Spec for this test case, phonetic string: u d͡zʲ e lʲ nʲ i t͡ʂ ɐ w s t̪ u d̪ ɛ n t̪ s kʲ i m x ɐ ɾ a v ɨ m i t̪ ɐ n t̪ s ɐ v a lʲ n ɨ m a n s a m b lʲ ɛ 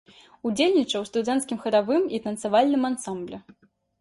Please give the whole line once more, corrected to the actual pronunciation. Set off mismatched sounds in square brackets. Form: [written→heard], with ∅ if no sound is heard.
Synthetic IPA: u d͡zʲ e lʲ nʲ i t͡ʂ ɐ w s t̪ u d̪ ɛ n t̪ s kʲ i m x ɐ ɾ a v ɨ m i t̪ ɐ n t̪ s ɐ v a lʲ n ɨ m a n s a m b lʲ ɛ